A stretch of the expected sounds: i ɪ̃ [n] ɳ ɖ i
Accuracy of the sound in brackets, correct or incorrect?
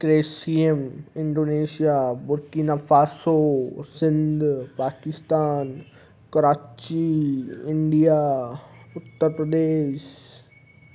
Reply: incorrect: none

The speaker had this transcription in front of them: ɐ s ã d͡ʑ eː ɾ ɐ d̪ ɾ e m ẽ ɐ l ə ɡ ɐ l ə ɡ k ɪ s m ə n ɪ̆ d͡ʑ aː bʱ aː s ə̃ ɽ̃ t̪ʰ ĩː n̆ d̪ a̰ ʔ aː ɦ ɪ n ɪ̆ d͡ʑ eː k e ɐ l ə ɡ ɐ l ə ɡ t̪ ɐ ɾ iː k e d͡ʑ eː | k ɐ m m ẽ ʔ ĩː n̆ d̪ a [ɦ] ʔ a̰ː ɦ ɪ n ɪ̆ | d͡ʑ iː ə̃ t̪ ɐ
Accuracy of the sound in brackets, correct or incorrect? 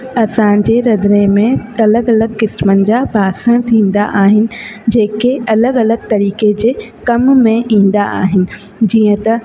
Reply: incorrect: none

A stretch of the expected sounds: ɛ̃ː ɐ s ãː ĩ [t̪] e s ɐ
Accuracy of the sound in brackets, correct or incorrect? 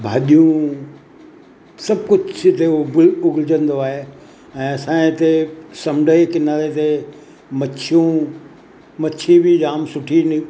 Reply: correct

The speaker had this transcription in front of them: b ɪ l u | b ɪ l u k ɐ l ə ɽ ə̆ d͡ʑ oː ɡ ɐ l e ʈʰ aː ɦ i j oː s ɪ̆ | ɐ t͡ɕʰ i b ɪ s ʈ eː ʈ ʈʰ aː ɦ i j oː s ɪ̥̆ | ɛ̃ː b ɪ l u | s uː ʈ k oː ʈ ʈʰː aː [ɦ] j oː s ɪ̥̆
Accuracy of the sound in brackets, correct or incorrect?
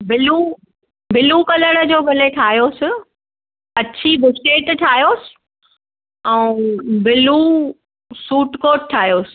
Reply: correct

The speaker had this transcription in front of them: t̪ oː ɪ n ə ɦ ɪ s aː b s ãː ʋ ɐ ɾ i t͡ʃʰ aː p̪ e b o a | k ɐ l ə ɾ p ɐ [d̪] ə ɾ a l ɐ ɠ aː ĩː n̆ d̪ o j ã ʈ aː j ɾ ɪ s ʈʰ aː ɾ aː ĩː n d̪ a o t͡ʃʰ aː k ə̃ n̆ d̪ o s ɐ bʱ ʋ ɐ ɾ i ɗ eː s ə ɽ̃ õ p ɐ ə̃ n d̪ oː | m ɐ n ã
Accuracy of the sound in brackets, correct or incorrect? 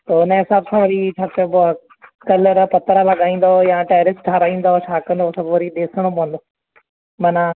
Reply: incorrect: t̪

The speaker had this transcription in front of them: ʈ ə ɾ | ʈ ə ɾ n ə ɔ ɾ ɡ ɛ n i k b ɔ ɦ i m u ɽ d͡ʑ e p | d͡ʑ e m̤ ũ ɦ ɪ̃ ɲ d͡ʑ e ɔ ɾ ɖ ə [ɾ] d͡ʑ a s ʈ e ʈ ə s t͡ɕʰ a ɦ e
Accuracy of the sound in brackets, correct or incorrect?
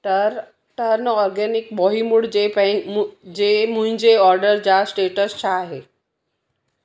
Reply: correct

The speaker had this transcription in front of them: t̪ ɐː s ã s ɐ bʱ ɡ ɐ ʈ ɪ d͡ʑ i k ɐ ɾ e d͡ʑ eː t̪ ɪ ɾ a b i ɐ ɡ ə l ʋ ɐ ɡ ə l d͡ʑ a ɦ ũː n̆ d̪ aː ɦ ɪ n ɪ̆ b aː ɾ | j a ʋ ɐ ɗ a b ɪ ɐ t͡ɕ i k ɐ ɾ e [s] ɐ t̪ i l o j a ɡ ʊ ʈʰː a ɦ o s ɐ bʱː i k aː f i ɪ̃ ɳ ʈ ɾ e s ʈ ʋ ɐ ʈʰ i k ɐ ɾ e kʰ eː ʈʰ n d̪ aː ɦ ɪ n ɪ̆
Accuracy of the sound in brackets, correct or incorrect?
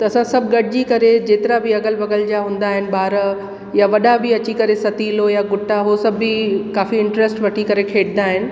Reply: correct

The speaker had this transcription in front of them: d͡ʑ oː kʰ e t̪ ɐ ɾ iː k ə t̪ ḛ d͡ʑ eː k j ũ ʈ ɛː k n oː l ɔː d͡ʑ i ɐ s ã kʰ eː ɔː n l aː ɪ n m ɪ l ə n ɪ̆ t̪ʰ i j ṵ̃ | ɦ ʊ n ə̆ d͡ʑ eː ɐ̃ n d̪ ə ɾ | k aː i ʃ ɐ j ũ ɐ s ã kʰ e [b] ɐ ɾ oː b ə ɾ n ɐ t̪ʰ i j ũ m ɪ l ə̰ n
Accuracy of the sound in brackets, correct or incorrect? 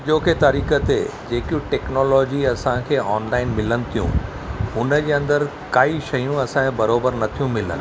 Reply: correct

